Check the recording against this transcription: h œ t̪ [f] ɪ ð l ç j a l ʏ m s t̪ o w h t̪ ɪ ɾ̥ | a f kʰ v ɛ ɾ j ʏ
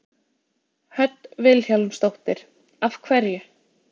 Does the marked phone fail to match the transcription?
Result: yes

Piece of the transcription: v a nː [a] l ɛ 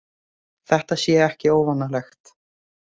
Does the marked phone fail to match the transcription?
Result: no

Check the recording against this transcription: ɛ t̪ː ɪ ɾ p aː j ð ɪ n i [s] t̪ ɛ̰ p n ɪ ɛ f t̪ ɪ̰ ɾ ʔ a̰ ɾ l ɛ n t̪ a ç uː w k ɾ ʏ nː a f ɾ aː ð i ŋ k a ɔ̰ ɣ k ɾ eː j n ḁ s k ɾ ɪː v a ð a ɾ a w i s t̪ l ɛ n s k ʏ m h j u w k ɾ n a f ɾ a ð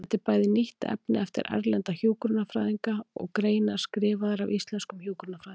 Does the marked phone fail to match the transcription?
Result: yes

